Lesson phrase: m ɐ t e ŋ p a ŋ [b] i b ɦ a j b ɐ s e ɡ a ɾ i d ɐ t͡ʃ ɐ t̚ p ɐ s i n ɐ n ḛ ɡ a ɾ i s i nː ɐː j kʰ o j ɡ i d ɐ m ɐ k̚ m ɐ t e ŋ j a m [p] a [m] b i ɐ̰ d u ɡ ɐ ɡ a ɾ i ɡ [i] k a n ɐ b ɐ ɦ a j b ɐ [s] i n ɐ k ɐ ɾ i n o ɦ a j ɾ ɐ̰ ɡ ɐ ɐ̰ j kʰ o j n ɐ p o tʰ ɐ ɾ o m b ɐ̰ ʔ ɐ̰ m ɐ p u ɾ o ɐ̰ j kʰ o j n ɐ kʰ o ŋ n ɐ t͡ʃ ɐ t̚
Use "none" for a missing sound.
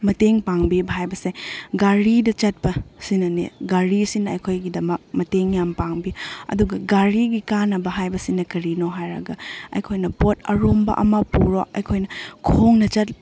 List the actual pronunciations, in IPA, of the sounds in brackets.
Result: b, p, ŋ, i, s

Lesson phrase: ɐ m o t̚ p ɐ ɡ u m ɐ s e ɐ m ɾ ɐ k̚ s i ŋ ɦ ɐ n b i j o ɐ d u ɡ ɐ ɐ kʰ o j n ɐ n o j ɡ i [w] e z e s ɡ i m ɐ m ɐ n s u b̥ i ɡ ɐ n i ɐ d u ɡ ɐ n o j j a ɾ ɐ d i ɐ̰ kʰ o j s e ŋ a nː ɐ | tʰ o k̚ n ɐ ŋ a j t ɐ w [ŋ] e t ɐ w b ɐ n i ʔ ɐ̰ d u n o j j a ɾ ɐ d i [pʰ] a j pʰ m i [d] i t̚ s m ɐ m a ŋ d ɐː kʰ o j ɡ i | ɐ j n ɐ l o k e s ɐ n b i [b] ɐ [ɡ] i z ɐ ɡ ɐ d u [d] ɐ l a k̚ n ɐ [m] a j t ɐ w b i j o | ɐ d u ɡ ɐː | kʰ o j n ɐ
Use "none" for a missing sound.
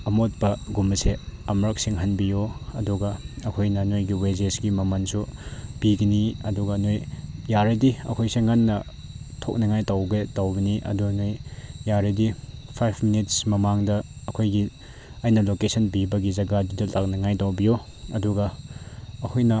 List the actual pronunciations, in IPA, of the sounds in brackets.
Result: w, ɡ, pʰ, n, b, ɡ, d, ŋ

